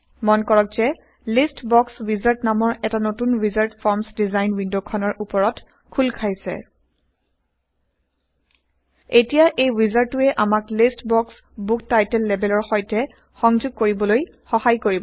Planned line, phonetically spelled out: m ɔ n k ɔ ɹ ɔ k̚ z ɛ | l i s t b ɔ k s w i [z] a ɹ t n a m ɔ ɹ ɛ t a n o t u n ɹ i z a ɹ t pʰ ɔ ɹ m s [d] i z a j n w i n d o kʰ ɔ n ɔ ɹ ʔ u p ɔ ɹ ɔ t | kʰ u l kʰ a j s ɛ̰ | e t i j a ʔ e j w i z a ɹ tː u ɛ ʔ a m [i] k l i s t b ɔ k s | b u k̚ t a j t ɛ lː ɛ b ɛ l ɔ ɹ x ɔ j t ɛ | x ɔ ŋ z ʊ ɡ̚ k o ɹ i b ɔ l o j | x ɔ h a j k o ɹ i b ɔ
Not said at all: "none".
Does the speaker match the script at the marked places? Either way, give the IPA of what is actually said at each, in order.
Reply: z, d, a

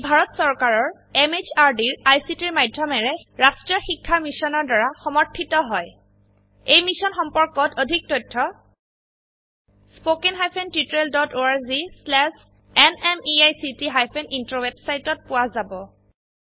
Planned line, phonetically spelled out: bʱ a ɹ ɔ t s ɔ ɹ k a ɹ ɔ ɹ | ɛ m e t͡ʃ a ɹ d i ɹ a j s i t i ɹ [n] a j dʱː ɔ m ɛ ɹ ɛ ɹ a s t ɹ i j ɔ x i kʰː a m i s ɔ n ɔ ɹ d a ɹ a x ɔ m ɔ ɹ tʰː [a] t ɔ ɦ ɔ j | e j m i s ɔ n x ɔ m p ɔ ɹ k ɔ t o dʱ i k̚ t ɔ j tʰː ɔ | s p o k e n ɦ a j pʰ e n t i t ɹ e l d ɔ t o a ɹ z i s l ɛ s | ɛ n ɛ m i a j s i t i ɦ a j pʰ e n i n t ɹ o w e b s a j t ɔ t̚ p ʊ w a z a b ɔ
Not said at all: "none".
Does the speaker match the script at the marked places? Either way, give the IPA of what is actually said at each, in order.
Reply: m, i

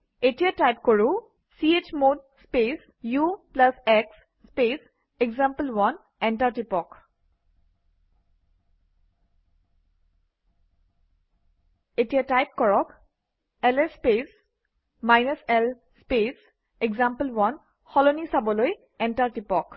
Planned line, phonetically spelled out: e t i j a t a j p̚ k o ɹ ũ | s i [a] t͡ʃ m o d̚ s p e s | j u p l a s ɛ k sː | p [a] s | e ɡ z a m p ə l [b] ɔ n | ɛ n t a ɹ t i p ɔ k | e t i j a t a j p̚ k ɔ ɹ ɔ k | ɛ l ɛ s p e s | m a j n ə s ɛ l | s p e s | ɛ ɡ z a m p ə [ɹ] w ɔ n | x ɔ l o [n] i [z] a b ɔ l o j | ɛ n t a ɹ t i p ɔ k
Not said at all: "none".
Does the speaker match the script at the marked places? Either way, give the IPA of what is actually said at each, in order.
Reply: e, e, w, l, n, s

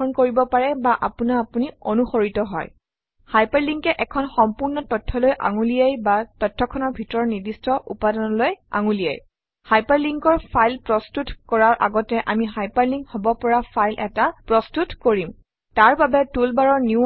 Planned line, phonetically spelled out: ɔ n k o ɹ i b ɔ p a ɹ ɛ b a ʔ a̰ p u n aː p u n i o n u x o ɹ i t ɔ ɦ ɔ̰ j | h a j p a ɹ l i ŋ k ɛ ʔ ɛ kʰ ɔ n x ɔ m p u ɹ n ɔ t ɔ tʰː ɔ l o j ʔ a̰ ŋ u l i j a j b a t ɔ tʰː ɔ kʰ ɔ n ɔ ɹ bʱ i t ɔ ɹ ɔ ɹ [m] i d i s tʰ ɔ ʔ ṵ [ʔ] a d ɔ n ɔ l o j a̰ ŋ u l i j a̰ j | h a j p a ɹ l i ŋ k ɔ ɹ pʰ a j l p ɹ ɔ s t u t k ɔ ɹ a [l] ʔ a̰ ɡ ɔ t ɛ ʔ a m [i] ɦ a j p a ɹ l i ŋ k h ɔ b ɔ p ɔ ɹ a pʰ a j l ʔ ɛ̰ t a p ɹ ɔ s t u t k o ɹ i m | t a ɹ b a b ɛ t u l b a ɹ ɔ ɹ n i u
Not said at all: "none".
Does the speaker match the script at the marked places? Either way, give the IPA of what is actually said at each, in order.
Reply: n, p, ɹ, i

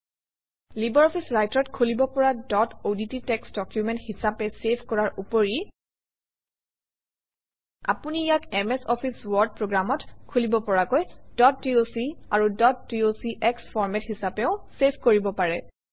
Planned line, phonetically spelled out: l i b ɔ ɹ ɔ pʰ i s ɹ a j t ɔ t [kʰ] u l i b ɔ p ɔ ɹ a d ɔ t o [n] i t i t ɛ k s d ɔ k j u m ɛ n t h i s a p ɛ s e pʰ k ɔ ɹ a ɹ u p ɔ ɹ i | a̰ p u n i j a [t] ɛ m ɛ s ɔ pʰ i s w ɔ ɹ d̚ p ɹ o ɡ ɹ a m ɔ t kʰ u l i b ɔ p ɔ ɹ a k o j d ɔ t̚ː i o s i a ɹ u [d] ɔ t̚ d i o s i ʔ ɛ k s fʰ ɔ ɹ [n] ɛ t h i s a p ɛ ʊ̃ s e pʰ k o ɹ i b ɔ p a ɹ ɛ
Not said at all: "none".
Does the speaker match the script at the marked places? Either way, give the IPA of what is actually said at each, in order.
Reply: kʰ, d, k, d, m

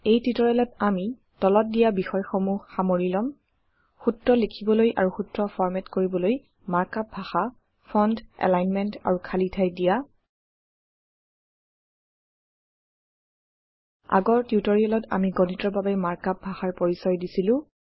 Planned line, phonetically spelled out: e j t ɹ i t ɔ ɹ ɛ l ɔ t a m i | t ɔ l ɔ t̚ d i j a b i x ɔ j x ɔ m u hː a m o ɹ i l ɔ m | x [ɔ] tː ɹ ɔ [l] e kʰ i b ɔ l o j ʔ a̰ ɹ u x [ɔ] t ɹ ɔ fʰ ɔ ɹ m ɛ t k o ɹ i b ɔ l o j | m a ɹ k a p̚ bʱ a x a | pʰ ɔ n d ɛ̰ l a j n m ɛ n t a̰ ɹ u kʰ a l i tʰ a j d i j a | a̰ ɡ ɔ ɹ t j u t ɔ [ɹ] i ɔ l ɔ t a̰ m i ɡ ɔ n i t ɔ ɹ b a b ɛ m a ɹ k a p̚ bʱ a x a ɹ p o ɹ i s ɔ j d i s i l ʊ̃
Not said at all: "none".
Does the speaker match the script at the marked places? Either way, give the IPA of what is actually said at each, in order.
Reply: u, l, u, ɹ

